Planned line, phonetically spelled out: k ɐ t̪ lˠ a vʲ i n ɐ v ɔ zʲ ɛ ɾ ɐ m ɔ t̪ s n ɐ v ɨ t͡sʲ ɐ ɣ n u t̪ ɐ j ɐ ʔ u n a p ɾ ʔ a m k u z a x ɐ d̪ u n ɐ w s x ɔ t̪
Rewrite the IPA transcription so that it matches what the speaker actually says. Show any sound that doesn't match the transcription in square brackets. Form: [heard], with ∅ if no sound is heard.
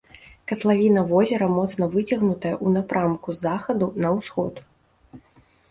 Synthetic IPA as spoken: k ɐ t̪ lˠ a vʲ i n ɐ v ɔ zʲ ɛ ɾ ɐ m ɔ t̪ s n ɐ v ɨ t͡sʲ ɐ ɣ n u t̪ ɐ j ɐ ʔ u n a p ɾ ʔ a m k u z a x ɐ d̪ u n ɐ w s x ɔ t̪

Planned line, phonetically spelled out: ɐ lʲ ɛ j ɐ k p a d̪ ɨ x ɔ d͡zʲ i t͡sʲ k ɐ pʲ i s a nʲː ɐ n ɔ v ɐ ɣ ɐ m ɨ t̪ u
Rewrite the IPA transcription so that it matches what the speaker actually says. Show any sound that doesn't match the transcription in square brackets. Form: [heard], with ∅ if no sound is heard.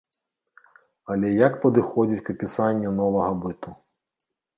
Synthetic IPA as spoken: ɐ lʲ ɛ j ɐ k p [ɐ] d̪ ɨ x ɔ d͡zʲ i t͡sʲ k ɐ pʲ i s a nʲː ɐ n ɔ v ɐ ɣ ɐ [b] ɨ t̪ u

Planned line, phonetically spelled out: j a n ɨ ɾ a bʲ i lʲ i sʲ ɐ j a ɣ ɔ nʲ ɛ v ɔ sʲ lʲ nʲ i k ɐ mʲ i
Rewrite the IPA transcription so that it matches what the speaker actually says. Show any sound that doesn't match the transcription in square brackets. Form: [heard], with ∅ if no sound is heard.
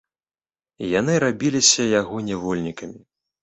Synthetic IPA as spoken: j a n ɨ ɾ a bʲ i lʲ i sʲ ɐ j a ɣ ɔ nʲ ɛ v ɔ [∅] lʲ nʲ i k ɐ mʲ i

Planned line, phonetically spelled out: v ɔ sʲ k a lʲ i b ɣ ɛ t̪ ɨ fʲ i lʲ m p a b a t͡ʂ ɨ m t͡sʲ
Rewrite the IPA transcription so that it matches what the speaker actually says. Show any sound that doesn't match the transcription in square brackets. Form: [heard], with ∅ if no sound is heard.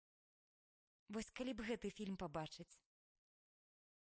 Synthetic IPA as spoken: v ɔ sʲ k a lʲ i b ɣ ɛ t̪ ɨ fʲ i lʲ m p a b a t͡ʂ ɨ [∅] t͡sʲ

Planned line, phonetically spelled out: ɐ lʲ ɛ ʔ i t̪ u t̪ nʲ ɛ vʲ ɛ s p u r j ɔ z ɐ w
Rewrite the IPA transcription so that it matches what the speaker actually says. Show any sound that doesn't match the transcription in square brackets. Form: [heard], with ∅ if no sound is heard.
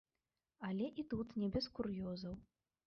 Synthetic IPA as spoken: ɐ lʲ ɛ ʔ i t̪ u t̪ nʲ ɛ [bʲ] ɛ s [k] u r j ɔ z ɐ w

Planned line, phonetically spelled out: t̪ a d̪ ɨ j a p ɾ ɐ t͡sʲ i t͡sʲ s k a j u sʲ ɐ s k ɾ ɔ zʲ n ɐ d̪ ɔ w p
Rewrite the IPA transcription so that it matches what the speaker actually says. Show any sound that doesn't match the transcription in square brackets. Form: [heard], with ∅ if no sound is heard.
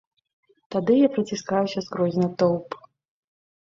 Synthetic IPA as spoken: t̪ a d̪ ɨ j a p ɾ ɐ t͡sʲ i [∅] s k a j u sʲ ɐ s k ɾ ɔ zʲ n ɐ [t̪] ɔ w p

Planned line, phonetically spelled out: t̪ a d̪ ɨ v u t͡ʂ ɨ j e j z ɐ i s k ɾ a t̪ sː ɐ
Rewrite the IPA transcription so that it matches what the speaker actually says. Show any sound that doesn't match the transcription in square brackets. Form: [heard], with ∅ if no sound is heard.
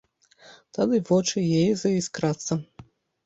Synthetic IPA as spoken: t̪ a d̪ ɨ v [ɔ] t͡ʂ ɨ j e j z ɐ i s k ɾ a t̪ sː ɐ

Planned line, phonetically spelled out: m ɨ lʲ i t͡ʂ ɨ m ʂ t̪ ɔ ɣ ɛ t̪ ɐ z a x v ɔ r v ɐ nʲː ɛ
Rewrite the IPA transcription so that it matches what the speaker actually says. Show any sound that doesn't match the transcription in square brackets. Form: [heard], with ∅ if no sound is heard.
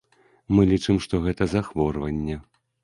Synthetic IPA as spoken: m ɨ lʲ i t͡ʂ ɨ m ʂ t̪ ɔ ɣ ɛ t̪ ɐ z a x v ɔ r v ɐ nʲː ɛ

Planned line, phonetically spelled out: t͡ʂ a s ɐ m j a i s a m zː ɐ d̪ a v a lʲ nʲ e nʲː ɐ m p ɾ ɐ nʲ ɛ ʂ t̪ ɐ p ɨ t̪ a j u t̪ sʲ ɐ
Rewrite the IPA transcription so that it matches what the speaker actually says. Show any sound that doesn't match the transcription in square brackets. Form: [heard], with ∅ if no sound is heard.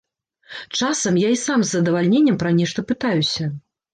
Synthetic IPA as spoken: t͡ʂ a s ɐ m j a i s a m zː ɐ d̪ [ɐ] v a lʲ nʲ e nʲː ɐ m p ɾ ɐ nʲ ɛ ʂ t̪ ɐ p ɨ t̪ a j u [∅] sʲ ɐ

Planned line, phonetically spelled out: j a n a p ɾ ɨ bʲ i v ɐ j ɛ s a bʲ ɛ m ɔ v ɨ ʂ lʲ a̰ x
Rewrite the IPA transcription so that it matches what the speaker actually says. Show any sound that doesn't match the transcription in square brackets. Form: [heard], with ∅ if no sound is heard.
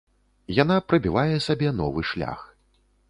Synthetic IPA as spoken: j a n a p ɾ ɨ bʲ i v [a] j ɛ s a bʲ ɛ [n] ɔ v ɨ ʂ lʲ a̰ x

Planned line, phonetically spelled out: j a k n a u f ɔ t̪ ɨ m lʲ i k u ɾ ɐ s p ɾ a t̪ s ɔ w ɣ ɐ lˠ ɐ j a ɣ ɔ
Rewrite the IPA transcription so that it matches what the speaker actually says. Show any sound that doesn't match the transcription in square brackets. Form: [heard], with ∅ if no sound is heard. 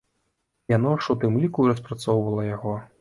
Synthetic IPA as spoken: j a [∅] n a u [ʂ] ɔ t̪ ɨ m lʲ i k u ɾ ɐ s p ɾ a t̪ s ɔ w [v] ɐ lˠ ɐ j a ɣ ɔ

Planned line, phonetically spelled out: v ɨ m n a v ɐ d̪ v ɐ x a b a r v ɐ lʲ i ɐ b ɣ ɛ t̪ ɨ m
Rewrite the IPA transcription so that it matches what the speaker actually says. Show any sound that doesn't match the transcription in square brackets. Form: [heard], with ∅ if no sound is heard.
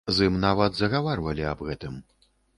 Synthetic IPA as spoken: [z] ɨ m n a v ɐ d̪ [z] ɐ [ɣ] a [v] a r v ɐ lʲ i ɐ b ɣ ɛ t̪ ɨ m

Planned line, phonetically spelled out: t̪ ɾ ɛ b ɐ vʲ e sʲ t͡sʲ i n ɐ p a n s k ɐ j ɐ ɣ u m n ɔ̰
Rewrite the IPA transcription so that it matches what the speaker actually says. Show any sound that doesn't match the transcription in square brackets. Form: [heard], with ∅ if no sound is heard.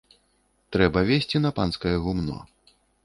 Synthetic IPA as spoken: t̪ ɾ ɛ b ɐ vʲ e sʲ t͡sʲ i n ɐ p a n s k ɐ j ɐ ɣ u m n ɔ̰

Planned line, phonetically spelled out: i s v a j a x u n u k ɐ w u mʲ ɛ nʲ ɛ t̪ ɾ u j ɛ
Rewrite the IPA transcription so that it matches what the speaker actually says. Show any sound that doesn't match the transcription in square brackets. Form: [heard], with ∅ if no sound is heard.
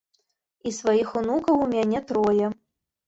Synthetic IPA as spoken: i s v a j [i] x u n u k ɐ w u mʲ [a] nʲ ɛ t̪ ɾ [ɔ] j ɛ

